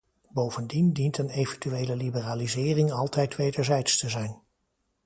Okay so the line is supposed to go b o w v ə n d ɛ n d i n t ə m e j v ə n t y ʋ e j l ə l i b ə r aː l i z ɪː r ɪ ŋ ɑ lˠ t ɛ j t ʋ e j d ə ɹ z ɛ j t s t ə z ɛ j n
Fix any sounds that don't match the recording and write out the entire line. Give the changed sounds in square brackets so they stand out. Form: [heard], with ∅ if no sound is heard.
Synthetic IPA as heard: b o w v ə n d [i] n d i n t ə [n] e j v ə n t y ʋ e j l ə l i b ə r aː l i z ɪː r ɪ ŋ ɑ lˠ t ɛ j t ʋ e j d ə ɹ z ɛ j t s t ə z ɛ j n